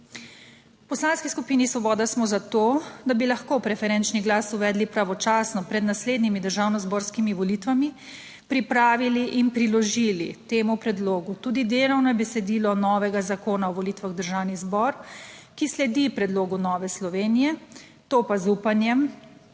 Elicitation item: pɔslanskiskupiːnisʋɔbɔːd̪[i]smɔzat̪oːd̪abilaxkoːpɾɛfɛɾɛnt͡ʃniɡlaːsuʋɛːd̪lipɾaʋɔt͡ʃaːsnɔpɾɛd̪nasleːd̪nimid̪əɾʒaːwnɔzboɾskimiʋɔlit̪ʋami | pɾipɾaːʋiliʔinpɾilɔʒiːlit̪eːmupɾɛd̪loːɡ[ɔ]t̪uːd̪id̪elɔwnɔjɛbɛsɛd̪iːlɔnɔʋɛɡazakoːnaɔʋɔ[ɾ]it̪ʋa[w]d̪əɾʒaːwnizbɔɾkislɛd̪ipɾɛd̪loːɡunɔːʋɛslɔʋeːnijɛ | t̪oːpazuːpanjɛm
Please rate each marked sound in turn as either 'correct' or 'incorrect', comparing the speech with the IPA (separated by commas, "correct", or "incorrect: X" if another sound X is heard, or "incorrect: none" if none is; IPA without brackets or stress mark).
incorrect: a, incorrect: u, incorrect: l, incorrect: ɣ